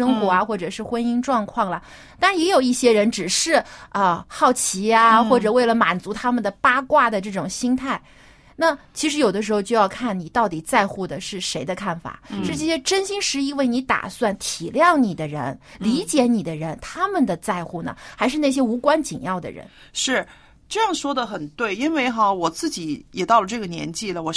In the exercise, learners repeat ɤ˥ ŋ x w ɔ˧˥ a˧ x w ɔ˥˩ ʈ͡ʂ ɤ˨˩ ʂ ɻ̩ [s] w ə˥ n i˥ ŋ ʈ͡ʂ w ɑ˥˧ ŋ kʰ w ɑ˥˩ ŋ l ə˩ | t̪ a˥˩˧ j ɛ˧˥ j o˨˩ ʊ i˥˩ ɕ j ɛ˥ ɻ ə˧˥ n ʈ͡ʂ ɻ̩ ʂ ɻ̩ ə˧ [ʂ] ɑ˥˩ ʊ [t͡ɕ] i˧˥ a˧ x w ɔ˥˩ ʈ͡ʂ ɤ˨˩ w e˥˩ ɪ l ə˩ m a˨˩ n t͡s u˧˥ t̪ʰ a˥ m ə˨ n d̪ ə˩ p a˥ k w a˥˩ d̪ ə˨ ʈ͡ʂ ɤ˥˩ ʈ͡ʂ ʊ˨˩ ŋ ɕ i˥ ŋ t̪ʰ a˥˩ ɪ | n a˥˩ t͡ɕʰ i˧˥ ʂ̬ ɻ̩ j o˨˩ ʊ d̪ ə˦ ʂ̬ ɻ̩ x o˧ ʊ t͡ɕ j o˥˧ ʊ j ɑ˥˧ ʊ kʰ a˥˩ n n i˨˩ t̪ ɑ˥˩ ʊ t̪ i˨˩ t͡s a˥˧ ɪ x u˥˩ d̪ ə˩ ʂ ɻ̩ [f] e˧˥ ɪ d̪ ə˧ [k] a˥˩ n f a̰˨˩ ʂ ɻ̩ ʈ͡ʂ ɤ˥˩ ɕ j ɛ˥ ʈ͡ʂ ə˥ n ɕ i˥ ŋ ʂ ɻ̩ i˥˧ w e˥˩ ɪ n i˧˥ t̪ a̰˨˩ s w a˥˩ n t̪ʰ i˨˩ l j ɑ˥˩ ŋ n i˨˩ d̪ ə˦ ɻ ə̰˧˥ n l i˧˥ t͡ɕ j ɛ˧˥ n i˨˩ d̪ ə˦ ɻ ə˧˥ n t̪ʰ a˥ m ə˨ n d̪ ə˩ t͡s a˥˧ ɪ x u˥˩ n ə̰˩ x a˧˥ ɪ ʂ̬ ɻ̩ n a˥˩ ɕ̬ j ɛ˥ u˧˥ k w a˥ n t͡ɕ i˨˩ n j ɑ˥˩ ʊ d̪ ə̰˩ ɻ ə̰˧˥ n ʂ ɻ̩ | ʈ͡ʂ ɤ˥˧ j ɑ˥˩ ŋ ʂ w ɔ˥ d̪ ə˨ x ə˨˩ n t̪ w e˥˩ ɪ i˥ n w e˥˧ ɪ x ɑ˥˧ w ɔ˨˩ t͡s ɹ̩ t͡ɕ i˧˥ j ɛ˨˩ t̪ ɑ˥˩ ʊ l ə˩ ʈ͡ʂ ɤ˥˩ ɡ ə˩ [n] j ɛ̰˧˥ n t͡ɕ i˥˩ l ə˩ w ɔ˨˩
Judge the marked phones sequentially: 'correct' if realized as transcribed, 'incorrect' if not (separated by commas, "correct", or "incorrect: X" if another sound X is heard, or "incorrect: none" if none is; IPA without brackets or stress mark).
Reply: incorrect: x, incorrect: x, incorrect: t͡ɕʰ, incorrect: ʂ, incorrect: kʰ, correct